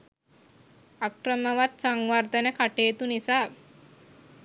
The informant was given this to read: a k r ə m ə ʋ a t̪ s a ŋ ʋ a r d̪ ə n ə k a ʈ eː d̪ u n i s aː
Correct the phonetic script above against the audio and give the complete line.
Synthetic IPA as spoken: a k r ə m ə ʋ a t̪ s a ŋ ʋ a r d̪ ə n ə k a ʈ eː t̪ u n i s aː